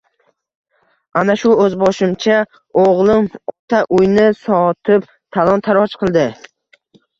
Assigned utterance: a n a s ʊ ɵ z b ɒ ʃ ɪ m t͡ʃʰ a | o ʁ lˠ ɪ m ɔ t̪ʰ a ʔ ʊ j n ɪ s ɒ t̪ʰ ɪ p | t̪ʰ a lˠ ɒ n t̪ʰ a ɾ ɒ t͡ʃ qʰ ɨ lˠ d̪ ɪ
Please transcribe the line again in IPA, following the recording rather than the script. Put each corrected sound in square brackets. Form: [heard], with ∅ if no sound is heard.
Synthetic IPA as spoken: a n a [ʃ] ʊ ɵ z b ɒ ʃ ɪ m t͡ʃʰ a | o ʁ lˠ ɪ m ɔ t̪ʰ a ʔ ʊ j n ɪ s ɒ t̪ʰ ɪ p | t̪ʰ a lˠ ɒ n t̪ʰ a ɾ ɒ t͡ʃ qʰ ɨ lˠ d̪ ɪ